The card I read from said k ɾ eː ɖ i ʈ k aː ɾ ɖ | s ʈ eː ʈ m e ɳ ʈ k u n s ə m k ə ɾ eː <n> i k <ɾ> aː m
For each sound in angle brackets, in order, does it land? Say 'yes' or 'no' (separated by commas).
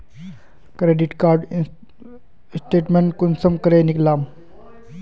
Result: yes, no